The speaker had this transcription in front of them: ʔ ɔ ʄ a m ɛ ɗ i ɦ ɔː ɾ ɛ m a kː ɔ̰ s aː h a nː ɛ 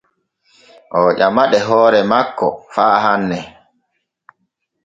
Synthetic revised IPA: ʔ ɔ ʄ a m a ɗ ɛ ɦ ɔː ɾ ɛ m a kː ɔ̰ f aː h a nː ɛ